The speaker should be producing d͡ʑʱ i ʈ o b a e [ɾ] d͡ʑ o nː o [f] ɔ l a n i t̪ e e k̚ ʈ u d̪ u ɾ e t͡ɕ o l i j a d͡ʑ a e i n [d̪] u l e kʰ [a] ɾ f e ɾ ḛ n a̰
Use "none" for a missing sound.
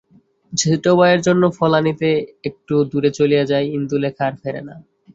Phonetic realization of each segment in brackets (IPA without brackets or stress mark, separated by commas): ɾ, f, d̪, a